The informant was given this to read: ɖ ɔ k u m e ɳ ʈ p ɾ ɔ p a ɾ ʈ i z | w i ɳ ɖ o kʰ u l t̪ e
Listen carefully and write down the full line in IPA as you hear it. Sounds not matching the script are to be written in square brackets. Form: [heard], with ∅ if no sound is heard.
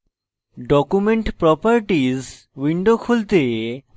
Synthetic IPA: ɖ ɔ k u m e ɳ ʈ p ɾ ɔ p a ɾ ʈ i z | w i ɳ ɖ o kʰ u l t̪ e